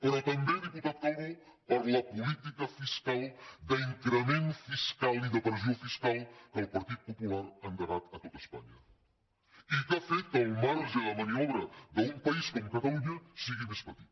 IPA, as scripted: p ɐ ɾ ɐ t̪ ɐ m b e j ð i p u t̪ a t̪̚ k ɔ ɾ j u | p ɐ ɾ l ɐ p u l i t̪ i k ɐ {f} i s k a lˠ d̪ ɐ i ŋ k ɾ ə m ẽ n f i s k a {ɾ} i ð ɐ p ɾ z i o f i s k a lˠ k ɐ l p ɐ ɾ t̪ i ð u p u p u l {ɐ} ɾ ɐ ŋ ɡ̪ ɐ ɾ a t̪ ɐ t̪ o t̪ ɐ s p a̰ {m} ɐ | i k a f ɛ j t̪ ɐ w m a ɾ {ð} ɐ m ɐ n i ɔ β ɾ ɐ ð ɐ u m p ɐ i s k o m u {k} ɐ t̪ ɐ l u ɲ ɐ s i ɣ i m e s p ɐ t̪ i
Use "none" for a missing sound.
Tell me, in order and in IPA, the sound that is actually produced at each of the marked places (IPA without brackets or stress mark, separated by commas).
f, l, a, ɲ, ʒ, k